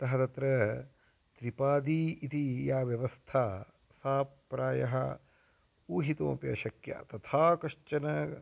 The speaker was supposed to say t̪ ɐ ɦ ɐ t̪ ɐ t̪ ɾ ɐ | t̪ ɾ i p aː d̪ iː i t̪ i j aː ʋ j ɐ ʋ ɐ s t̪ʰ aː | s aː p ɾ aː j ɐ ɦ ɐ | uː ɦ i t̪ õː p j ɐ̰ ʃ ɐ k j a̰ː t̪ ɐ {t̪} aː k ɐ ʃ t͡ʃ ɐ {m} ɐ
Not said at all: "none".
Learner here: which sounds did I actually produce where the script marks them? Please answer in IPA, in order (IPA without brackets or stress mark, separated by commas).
t̪ʰ, n